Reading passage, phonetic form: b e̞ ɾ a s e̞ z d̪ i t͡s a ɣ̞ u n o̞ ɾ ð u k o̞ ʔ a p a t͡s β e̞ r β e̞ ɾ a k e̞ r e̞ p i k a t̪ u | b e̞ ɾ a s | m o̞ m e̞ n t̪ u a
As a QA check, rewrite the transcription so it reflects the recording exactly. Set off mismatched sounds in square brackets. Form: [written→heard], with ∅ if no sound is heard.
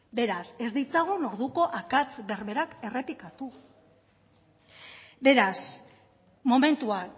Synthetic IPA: b e̞ ɾ a s e̞ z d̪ i t͡s a ɣ̞ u n o̞ ɾ ð u k o̞ ʔ a [p→k] a t͡s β e̞ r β e̞ ɾ a k e̞ r e̞ p i k a t̪ u | b e̞ ɾ a s | m o̞ m e̞ n t̪ u a